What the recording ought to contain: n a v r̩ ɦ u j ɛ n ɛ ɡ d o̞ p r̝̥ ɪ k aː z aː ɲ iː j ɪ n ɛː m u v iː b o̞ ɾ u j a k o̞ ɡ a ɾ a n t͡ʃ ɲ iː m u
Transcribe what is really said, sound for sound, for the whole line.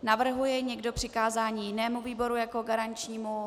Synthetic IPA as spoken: n a v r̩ ɦ u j ɛ ɲ ɛ ɡ d o̞ p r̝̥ ɪ k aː z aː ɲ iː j ɪ n ɛː m u v iː b o̞ ɾ u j a k o̞ ɡ a ɾ a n t͡ʃ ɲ iː m u